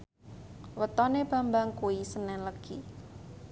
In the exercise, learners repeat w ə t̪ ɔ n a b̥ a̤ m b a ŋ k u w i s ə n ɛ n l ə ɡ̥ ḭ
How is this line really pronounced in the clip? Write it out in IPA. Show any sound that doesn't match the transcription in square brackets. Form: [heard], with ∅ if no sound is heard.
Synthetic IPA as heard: w ə t̪ ɔ n [e] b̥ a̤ m b a ŋ k u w i s ə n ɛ n l ə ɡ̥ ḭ